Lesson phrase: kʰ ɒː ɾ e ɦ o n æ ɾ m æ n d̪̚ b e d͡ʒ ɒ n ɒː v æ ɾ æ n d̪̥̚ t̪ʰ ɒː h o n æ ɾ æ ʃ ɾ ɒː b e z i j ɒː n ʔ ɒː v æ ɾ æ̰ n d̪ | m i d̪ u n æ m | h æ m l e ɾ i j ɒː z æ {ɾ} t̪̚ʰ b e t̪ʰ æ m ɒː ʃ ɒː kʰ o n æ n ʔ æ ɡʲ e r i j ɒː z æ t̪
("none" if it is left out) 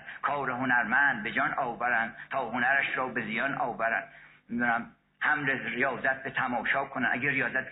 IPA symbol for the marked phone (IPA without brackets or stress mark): none